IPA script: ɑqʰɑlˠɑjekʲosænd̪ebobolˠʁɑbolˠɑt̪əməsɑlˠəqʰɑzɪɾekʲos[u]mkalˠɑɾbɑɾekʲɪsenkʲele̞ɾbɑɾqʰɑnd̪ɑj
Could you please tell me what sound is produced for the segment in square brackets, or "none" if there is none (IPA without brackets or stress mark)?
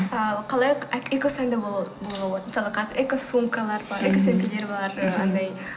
u